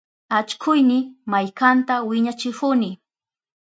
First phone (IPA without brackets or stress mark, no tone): a